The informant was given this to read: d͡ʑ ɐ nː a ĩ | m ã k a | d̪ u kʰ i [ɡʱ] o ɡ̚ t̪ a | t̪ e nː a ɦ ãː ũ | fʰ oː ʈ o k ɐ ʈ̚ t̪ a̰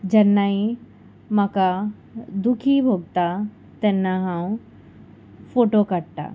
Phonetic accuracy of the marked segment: incorrect: bʱ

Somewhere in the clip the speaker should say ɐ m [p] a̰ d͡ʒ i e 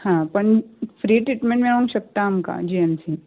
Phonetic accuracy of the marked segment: incorrect: k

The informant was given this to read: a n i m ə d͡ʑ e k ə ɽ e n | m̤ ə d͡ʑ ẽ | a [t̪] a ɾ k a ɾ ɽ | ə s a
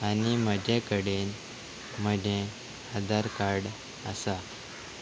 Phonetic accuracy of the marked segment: incorrect: d̪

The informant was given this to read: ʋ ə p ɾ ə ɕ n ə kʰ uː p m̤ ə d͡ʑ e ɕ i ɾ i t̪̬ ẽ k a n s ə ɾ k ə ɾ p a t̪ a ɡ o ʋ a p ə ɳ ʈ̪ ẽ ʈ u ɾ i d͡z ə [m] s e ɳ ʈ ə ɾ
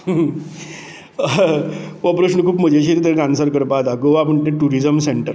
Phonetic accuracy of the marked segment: correct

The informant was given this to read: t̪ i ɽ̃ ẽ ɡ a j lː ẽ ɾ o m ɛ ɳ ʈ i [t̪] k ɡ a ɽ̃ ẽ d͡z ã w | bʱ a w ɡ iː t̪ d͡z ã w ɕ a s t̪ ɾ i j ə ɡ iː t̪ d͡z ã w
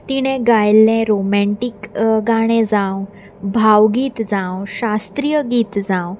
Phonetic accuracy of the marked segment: incorrect: none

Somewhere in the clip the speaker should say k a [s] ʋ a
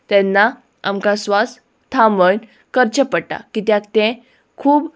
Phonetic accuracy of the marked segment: correct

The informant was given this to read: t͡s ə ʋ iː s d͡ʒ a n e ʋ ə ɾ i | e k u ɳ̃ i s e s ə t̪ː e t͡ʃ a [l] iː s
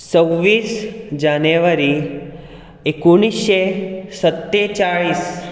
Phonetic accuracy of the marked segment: incorrect: ɭ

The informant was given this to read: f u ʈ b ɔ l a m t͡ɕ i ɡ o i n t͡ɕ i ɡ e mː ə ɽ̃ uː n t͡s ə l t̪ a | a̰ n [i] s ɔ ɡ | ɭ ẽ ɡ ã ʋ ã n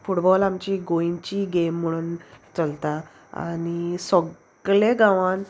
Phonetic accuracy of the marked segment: correct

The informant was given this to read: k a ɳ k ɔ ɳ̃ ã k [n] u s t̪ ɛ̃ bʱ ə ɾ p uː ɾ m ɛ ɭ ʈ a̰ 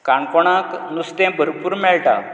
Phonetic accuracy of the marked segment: correct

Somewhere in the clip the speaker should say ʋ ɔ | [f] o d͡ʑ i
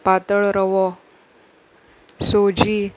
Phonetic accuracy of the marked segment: incorrect: s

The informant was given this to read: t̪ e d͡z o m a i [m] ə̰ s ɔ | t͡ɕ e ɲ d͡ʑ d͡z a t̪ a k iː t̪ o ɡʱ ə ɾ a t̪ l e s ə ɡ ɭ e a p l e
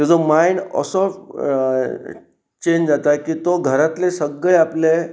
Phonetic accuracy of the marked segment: incorrect: n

